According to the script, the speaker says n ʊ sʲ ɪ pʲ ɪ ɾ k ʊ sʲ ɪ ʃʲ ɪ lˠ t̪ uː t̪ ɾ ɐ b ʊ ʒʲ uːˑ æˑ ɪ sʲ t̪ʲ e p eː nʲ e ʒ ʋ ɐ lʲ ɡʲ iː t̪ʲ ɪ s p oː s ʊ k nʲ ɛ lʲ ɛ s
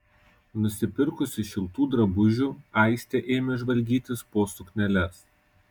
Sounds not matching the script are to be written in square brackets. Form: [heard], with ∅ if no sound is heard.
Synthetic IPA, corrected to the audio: n ʊ sʲ ɪ pʲ ɪ ɾ k ʊ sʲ ɪ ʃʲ ɪ lˠ t̪ uː [d̪] ɾ ɐ b ʊ ʒʲ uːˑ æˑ ɪ sʲ t̪ʲ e [ʔ] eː [mʲ] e ʒ ʋ ɐ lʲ ɡʲ iː t̪ʲ ɪ s p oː s ʊ k nʲ ɛ lʲ ɛ s